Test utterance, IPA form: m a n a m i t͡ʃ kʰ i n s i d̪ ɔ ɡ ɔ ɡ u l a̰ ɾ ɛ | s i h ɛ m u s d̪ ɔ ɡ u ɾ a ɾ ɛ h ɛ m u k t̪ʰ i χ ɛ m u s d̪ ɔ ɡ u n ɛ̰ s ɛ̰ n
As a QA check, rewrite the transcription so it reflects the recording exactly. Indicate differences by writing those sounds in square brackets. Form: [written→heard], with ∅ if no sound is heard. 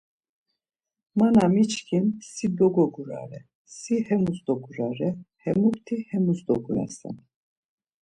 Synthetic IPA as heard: m a n a m i t͡ʃ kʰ i n s i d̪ ɔ ɡ ɔ ɡ u [l→ɾ] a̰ ɾ ɛ | s i h ɛ m u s d̪ ɔ ɡ u ɾ a ɾ ɛ h ɛ m u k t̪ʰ i [χ→h] ɛ m u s d̪ ɔ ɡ u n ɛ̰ s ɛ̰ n

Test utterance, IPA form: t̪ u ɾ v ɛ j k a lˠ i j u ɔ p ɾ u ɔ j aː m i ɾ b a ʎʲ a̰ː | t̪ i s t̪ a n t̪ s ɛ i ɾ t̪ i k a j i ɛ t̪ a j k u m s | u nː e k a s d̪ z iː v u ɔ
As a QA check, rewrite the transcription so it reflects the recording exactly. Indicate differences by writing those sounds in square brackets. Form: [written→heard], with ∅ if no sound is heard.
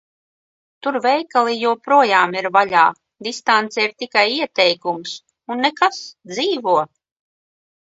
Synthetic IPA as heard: t̪ u ɾ v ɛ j k a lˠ i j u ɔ p ɾ u ɔ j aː m i ɾ [b→v] a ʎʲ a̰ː | [t̪→d̪] i s t̪ a n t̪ s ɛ i ɾ t̪ i k a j i ɛ t̪ [a→ɛ] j k u m s | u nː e k a s d̪ z iː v u ɔ

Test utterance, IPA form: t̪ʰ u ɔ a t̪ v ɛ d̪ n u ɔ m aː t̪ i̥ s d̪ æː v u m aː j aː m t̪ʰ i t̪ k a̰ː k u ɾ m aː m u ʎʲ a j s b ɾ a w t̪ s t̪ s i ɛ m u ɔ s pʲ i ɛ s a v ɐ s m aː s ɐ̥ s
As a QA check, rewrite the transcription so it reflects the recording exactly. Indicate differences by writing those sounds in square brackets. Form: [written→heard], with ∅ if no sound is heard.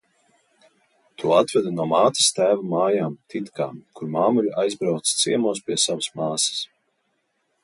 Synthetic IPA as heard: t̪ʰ u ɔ a t̪ v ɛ d̪ n u ɔ m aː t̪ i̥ s [d̪→t̪] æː v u m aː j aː m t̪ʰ i t̪ k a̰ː k u ɾ m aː m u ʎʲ a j [s→z] b ɾ a w t̪ s t̪ s i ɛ m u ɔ s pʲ i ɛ s a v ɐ s m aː s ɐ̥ s

